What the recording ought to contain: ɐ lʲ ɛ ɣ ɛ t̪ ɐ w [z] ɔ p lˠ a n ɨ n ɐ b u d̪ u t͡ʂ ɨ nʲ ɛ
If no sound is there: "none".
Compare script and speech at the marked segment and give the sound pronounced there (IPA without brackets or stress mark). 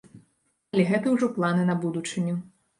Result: ʐ